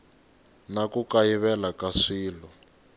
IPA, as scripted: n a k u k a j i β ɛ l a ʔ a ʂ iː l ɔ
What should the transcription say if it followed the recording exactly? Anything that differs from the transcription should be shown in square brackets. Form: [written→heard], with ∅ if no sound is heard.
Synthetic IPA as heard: n a k u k a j i β ɛ l a [ʔ→k] a ʂ iː l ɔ